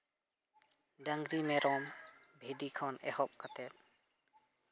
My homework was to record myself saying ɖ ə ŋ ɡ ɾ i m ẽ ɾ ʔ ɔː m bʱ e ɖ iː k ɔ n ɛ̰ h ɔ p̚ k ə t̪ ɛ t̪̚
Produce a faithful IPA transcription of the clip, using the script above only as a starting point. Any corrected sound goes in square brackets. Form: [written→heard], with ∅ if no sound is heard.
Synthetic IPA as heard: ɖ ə ŋ ɡ ɾ i m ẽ ɾ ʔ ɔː m bʱ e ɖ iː [k→kʰ] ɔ n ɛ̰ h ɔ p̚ k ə t̪ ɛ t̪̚